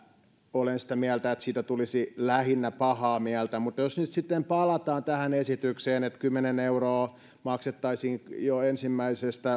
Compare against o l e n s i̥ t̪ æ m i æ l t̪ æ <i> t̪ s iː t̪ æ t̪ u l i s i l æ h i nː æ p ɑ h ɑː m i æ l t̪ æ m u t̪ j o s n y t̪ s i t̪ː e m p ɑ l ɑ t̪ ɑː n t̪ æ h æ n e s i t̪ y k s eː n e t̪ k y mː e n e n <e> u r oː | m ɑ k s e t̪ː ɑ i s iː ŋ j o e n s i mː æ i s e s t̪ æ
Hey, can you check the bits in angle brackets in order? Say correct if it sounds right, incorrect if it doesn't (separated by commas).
incorrect, correct